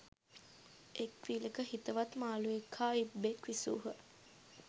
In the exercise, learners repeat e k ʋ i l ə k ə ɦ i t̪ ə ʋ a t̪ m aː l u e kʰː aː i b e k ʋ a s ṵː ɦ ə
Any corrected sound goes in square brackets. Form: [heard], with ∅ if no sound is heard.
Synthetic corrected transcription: e k ʋ i l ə k ə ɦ i t̪ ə ʋ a t̪ m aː l u e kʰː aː i b e k ʋ [i] s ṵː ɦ ə

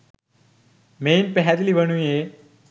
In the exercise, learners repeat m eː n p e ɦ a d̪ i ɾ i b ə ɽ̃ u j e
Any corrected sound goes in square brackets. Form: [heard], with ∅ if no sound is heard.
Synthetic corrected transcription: m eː n p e ɦ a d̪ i [l] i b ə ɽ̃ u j e

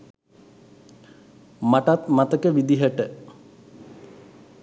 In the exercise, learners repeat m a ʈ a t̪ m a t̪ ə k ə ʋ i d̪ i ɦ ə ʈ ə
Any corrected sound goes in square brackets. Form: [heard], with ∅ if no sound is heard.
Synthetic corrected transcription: m a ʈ a t̪ m a t̪ ə k ə ʋ i d̪ i ɦ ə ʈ ə

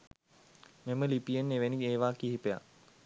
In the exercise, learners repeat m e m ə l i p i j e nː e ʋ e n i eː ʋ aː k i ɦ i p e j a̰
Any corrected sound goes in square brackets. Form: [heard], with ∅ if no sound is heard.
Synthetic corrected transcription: m e m ə l i p i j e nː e ʋ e n i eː ʋ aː k i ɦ i p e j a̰

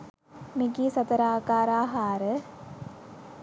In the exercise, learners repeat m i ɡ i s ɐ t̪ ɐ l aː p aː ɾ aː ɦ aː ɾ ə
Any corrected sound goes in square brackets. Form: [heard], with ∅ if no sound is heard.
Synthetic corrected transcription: m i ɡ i s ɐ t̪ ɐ [ɾ] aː [k] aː ɾ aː ɦ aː ɾ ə

